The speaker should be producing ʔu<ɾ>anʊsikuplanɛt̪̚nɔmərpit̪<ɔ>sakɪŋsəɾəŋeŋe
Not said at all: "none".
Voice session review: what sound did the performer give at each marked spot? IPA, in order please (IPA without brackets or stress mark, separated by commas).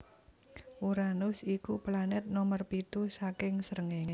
ɾ, u